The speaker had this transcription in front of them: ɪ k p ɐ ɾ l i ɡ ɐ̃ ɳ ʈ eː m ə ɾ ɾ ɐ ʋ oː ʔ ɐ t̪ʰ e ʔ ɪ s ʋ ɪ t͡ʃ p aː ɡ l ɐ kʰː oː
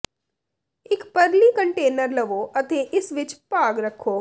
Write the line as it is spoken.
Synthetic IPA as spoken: ɪ k p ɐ ɾ l i k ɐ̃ ɳ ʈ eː n ə ɾ l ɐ ʋ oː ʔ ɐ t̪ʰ e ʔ ɪ s ʋ ɪ t͡ʃ p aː ɡ ɾ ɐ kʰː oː